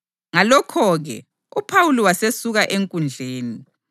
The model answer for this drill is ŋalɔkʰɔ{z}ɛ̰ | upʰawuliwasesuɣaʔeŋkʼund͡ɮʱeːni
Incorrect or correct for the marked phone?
incorrect: ɣ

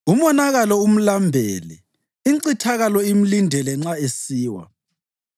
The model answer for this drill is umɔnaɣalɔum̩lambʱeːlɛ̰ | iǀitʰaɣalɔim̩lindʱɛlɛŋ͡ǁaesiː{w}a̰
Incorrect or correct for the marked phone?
correct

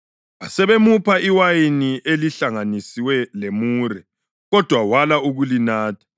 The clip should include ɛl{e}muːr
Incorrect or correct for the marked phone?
correct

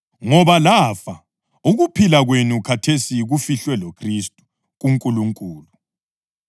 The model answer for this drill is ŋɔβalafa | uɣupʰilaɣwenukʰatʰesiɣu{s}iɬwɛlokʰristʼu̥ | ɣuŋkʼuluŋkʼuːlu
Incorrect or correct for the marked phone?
incorrect: f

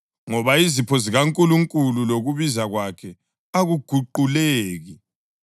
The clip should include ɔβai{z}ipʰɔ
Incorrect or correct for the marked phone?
correct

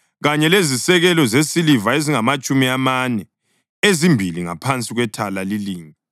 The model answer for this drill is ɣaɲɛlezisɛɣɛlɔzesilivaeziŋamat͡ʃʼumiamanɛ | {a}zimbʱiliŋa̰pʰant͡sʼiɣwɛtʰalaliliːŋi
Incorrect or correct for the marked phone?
incorrect: e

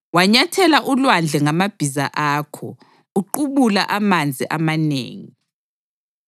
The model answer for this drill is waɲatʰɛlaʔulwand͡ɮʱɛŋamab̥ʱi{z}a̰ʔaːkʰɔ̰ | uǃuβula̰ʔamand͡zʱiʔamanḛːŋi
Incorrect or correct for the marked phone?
correct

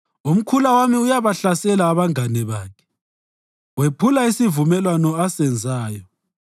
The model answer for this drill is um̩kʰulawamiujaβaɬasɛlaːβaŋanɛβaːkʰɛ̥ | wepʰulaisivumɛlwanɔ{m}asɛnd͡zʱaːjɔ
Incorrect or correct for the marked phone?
incorrect: none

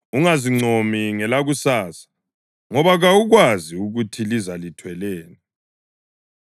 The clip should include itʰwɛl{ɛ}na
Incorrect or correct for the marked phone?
incorrect: ɛː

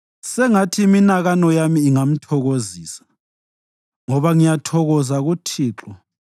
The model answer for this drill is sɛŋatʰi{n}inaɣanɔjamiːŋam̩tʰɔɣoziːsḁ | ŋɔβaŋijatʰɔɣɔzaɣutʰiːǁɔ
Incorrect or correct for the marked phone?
incorrect: m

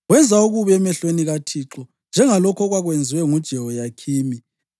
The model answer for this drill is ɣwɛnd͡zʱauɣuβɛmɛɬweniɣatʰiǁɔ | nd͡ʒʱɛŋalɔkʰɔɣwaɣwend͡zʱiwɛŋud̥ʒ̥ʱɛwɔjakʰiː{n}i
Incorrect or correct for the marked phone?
incorrect: m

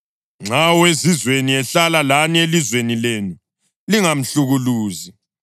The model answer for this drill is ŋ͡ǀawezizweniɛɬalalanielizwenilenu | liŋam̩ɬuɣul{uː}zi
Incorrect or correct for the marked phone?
correct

